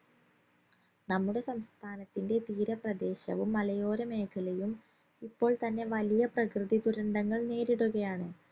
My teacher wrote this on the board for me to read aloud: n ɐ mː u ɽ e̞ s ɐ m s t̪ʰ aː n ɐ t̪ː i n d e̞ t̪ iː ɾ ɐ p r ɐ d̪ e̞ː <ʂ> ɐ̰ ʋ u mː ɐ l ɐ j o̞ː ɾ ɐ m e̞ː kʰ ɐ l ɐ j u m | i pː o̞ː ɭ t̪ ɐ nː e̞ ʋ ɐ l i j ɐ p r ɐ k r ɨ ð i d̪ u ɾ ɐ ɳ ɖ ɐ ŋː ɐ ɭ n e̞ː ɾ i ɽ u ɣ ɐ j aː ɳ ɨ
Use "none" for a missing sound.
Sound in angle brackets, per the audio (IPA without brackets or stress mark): ɕ